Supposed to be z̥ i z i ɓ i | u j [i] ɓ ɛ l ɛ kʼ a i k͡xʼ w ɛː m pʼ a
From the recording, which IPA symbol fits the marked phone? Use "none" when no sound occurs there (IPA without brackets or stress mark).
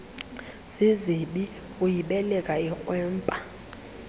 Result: i